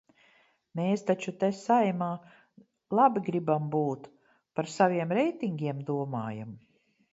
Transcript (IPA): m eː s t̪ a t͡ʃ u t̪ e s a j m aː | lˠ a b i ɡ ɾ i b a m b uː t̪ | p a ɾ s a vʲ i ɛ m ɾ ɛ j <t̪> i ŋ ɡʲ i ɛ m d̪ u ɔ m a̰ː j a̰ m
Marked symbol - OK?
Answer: yes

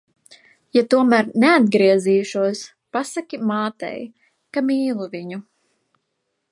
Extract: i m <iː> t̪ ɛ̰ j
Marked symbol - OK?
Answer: no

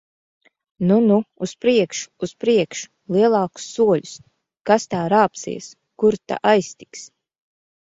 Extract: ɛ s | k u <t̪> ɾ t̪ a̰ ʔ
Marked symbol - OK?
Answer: no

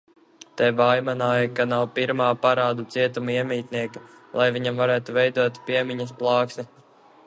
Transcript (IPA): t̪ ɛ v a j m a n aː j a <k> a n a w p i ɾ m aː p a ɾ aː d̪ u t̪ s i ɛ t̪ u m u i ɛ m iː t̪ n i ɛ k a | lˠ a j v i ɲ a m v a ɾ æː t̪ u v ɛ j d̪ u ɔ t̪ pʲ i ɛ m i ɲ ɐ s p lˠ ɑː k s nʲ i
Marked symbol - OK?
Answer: yes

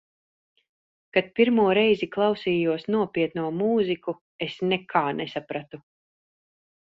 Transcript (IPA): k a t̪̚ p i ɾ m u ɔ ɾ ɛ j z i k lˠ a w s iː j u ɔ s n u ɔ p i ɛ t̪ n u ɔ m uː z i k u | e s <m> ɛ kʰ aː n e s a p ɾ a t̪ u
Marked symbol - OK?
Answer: no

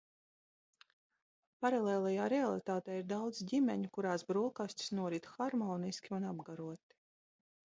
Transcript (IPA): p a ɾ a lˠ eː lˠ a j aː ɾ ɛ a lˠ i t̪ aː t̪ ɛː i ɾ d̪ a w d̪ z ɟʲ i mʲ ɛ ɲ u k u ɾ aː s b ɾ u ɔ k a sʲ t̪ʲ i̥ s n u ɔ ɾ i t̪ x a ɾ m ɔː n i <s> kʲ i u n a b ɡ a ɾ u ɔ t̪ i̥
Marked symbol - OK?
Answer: yes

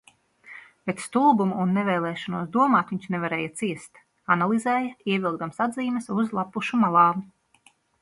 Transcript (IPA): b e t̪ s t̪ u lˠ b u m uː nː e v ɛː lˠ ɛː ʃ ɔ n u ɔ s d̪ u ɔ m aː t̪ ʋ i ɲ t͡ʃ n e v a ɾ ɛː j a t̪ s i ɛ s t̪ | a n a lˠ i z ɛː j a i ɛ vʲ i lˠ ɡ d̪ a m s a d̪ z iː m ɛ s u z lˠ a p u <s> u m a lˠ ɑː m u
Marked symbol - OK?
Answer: no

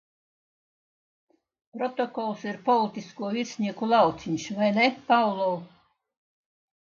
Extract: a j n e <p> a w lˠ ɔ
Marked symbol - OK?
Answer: yes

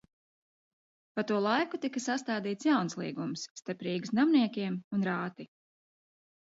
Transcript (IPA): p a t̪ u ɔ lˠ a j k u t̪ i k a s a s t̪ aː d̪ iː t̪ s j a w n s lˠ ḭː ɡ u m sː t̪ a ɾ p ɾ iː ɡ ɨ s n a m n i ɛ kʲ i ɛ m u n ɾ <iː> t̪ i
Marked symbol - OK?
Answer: no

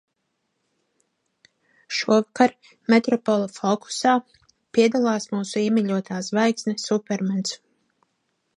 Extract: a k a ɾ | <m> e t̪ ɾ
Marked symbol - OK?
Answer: yes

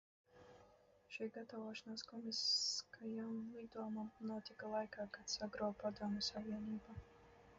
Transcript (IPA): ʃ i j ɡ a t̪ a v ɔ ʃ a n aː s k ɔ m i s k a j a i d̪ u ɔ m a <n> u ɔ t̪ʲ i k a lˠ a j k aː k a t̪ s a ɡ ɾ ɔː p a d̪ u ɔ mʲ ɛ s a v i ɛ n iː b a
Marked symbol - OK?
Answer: yes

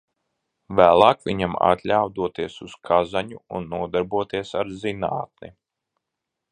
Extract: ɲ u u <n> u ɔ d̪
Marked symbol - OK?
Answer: no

